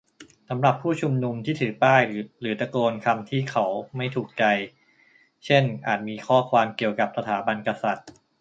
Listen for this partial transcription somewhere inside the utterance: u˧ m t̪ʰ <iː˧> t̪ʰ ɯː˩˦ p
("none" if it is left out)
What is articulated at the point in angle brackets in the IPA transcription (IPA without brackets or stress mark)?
iː˥˩